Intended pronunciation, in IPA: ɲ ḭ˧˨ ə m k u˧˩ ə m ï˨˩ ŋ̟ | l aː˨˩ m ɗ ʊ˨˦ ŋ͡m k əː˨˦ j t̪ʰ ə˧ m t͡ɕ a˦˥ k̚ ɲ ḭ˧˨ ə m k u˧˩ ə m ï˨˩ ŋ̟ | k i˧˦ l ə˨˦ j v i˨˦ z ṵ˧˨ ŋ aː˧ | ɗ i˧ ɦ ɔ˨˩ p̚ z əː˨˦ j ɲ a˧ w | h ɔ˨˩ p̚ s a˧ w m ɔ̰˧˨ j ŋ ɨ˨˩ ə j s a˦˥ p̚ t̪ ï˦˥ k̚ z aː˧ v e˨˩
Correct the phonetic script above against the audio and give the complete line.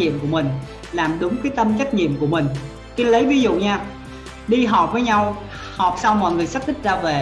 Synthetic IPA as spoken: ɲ ḭ˧˨ ə m k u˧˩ ə m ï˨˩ ŋ̟ | l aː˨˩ m ɗ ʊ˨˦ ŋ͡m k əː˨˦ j t̪ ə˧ m t͡ɕ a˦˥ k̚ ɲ ḭ˧˨ ə m k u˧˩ ə m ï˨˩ ŋ̟ | k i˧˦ l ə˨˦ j v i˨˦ z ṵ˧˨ ɲ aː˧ | ɗ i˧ ɦ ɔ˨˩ p̚ v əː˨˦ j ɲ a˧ w | h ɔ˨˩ p̚ s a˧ w m ɔ̰˧˨ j ŋ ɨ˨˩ ə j s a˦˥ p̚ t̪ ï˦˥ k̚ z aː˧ v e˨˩

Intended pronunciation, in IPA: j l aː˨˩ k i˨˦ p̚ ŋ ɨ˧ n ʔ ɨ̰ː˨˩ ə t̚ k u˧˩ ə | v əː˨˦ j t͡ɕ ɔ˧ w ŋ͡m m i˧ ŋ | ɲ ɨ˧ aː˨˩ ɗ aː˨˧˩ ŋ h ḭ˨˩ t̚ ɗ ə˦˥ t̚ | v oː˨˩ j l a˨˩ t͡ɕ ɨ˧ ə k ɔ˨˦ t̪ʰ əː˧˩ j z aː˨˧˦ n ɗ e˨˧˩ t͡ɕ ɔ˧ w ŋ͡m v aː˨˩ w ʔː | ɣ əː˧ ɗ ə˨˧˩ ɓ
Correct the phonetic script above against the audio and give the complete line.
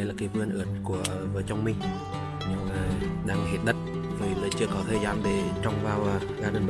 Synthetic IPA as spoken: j l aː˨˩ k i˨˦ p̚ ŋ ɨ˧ n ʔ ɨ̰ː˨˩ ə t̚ k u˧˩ ə | v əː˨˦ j t͡ɕ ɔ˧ w ŋ͡m m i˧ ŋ | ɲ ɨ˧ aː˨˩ ɗ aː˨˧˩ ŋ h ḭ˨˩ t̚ ɗ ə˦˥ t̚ | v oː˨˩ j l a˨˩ t͡ɕ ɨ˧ ə k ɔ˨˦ t̪ʰ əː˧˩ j z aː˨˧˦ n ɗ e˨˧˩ t͡ɕ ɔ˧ w ŋ͡m v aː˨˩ w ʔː | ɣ aː˧ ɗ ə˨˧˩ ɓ

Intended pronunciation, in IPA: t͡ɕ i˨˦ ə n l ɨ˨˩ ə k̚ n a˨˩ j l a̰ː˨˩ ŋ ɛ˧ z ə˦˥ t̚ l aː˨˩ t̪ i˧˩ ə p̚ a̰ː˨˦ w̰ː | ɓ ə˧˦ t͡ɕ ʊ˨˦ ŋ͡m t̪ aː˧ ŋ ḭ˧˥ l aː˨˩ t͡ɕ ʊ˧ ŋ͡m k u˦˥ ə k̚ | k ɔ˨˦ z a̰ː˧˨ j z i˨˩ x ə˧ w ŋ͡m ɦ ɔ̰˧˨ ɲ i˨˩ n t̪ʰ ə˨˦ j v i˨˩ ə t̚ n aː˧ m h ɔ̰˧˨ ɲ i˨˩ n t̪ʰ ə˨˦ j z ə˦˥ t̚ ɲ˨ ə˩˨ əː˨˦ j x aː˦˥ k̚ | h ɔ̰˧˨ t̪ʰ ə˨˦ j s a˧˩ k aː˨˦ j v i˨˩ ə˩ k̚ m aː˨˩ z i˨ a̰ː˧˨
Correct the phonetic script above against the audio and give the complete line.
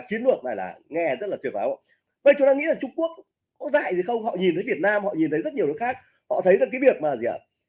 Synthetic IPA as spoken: t͡ɕ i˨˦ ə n l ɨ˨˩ ə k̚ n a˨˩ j l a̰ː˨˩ ŋ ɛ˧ z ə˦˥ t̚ l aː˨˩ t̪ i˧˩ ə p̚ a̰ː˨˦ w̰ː | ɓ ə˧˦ t͡ɕ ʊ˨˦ ŋ͡m t̪ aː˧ ŋ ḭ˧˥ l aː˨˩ t͡ɕ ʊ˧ ŋ͡m k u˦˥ ə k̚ | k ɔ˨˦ z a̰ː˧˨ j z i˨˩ x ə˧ w ŋ͡m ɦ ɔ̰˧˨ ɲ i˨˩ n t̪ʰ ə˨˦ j v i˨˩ ə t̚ n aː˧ m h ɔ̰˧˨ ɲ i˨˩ n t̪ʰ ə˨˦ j z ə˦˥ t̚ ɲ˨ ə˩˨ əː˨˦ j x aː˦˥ k̚ | h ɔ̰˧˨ t̪ʰ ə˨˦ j z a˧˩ k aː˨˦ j v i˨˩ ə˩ k̚ m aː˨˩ z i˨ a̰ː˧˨

